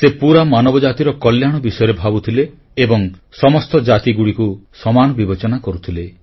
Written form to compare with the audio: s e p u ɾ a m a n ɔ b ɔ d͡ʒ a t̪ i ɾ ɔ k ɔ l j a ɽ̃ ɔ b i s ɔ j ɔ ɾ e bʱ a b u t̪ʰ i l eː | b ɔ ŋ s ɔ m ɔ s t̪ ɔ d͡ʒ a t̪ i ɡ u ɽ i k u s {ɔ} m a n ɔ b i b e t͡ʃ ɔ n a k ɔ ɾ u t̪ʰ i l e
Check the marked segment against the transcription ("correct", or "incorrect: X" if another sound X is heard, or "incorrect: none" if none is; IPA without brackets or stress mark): correct